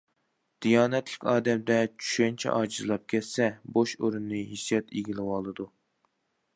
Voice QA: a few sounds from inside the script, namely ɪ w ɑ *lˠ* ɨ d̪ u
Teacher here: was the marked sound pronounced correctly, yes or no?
yes